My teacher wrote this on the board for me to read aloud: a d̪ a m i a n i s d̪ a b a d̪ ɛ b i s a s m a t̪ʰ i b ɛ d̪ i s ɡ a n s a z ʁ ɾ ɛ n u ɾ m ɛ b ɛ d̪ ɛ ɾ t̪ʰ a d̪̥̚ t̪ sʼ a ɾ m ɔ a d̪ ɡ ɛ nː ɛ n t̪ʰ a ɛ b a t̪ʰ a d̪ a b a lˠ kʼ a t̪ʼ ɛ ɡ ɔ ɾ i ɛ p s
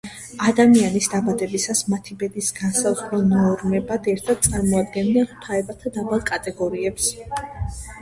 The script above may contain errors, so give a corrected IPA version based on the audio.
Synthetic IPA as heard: a d̪ a m i a n i s d̪ a b a d̪ ɛ b i s a s m a t̪ʰ i b ɛ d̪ i s ɡ a n s a z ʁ ɾ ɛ n ɔ ɾ m ɛ b a d̪ ɛ ɾ t̪ʰ a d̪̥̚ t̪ sʼ a ɾ m ɔ a d̪ ɡ ɛ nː ɛ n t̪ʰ a ɛ b a t̪ʰ a d̪ a b a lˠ kʼ a t̪ʼ ɛ ɡ ɔ ɾ i ɛ p s